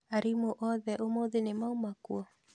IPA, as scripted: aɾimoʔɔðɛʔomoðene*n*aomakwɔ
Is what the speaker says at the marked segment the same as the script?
no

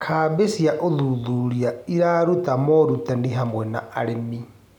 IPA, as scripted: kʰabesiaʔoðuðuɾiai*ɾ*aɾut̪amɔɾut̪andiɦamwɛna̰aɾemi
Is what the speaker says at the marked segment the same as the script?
yes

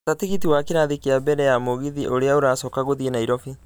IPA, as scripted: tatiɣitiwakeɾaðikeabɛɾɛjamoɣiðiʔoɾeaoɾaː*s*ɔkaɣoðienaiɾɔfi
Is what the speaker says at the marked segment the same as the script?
yes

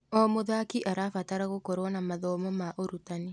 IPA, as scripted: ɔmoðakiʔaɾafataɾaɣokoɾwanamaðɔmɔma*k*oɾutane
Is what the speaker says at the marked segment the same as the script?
no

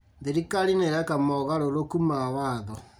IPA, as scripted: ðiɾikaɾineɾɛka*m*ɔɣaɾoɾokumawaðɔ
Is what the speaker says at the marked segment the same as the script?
yes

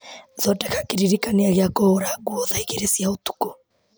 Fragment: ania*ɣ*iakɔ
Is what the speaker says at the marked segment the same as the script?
yes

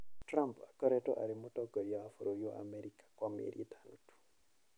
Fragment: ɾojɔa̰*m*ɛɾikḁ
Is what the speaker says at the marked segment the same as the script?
yes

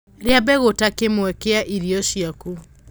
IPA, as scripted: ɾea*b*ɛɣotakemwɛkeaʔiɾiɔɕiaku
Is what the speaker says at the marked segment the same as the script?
yes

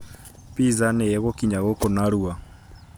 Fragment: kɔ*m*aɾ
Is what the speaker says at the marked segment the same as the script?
no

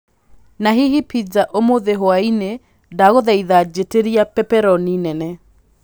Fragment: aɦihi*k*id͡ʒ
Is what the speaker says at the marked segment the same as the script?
no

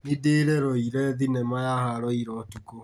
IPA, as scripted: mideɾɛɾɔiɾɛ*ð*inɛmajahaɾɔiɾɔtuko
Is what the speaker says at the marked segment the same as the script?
yes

